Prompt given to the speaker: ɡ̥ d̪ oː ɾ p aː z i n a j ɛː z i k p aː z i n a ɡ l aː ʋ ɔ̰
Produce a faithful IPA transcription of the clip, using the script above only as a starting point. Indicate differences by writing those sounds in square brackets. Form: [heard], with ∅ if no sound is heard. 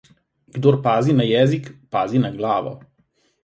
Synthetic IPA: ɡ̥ d̪ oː ɾ p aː z i n a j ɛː z i k p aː z i n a ɡ l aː ʋ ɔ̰